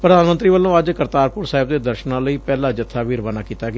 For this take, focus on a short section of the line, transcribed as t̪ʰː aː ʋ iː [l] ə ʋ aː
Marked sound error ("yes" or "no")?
yes